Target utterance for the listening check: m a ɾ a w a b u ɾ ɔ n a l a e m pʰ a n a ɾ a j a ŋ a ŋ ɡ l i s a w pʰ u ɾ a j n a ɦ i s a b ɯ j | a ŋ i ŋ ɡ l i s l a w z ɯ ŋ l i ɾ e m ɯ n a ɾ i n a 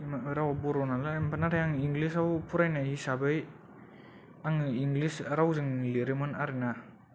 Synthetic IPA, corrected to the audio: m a ɾ a w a b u ɾ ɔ n a l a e m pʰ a n a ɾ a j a ŋ i ŋ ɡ l i s a w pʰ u ɾ a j n a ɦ i s a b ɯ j | a ŋ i ŋ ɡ l i s ɾ a w z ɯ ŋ l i ɾ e m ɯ n a ɾ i n a